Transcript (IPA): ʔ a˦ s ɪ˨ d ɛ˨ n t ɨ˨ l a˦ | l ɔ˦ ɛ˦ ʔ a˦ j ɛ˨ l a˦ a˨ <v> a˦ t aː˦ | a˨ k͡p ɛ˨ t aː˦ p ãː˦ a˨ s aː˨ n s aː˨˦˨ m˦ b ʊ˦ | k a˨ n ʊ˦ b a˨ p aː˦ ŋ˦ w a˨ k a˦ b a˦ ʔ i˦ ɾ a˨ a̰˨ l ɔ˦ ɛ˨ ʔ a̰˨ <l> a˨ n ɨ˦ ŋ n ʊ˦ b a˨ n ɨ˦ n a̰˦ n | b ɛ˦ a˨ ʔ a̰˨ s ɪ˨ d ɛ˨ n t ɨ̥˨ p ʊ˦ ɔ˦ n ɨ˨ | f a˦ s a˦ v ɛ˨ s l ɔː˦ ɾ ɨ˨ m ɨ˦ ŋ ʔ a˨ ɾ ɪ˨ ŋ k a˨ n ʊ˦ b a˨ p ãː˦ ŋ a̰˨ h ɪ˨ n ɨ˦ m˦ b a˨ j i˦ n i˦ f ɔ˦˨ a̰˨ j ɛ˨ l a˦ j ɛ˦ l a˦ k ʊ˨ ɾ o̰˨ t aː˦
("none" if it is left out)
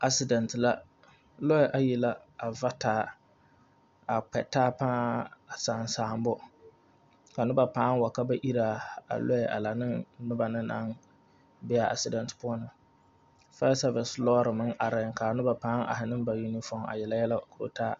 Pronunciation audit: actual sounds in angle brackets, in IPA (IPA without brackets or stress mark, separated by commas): v, l